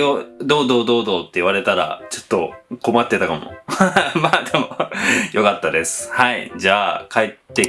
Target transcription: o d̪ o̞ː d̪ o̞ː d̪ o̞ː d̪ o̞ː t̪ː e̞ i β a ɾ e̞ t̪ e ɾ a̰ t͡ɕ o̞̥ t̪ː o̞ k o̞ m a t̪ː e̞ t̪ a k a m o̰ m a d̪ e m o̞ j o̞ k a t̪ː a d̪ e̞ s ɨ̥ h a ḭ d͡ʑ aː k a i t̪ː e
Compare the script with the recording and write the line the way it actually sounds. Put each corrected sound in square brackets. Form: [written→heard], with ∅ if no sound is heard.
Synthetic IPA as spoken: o d̪ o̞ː d̪ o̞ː d̪ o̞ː d̪ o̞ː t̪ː e̞ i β a ɾ e̞ t̪ [e→a] ɾ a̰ t͡ɕ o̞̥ t̪ː o̞ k o̞ m a t̪ː e̞ t̪ a k a m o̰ m a d̪ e m o̞ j o̞ k a t̪ː a d̪ e̞ s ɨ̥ h a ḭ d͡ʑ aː k a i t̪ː e